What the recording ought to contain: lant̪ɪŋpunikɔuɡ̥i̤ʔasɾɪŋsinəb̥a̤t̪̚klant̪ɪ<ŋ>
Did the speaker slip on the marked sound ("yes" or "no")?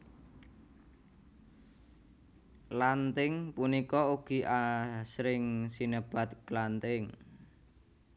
no